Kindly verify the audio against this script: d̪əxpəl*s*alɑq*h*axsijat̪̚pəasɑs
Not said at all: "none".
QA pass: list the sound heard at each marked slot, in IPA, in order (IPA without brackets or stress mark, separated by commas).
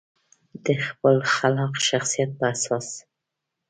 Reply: x, ʃ